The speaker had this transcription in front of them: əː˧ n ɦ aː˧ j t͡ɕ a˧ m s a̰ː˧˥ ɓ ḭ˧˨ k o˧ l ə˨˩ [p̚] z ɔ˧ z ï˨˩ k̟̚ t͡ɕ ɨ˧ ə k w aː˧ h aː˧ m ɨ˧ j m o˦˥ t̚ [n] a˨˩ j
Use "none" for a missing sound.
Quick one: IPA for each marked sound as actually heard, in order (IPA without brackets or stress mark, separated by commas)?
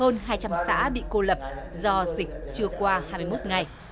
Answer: p̚, ŋ